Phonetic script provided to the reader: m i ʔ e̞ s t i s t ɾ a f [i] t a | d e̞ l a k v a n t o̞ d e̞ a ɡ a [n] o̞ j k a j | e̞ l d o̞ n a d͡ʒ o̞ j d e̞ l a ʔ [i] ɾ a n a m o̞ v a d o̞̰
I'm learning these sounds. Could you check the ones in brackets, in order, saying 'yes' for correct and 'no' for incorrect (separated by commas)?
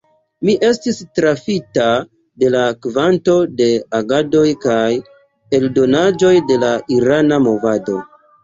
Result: yes, no, yes